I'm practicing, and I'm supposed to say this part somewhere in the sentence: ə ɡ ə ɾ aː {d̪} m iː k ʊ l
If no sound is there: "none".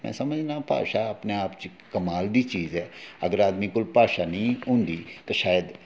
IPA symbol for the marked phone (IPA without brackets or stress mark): d̪